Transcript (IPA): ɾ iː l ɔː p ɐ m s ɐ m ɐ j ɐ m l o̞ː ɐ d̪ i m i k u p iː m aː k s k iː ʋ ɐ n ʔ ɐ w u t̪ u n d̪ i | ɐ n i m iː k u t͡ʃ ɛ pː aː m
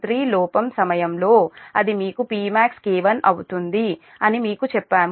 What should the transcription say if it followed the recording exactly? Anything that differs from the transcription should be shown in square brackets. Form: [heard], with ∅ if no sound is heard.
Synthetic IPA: ɾ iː l ɔː p ɐ m s ɐ m ɐ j ɐ m l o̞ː ɐ d̪ i m [iː] k u p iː m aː k s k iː ʋ ɐ n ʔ ɐ w u t̪ u n d̪ i | ɐ n i m iː k u t͡ʃ ɛ pː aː m